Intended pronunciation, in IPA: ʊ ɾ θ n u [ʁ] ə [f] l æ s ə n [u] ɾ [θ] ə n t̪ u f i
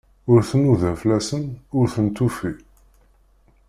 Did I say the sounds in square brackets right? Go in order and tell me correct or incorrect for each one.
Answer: incorrect: ð, correct, incorrect: ʊ, correct

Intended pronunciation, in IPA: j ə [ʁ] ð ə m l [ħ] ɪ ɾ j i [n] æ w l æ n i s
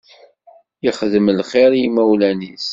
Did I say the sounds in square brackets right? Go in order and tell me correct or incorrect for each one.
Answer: incorrect: χ, incorrect: χ, incorrect: m

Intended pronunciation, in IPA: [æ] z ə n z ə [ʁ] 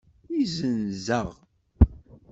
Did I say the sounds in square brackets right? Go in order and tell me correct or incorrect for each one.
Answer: incorrect: i, correct

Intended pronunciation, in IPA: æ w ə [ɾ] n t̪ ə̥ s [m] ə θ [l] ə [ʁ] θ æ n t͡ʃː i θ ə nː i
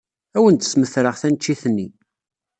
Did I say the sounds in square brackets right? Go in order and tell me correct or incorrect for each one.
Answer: incorrect: none, correct, incorrect: ɾ, correct

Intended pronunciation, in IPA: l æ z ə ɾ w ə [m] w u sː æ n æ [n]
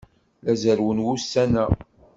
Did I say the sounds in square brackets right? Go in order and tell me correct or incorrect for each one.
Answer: incorrect: n, incorrect: none

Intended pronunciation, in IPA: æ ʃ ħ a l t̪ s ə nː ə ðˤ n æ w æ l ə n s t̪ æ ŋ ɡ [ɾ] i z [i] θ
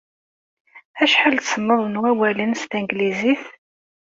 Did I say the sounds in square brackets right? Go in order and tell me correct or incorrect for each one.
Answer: incorrect: l, correct

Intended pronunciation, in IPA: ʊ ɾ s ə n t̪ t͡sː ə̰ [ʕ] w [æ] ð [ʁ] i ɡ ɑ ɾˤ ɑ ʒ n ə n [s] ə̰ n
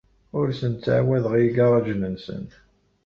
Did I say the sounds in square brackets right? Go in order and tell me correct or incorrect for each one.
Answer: correct, correct, correct, correct

